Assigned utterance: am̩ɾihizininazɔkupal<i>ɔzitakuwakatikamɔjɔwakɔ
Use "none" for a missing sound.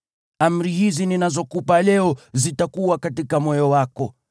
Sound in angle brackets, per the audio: ɛ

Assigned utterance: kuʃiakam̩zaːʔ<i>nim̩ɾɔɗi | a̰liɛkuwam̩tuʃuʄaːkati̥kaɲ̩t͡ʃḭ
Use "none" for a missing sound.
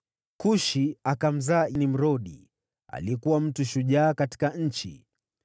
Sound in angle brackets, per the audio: i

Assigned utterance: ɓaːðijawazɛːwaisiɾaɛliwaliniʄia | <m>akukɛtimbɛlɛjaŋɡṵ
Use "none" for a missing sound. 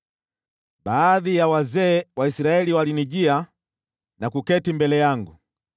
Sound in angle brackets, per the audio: n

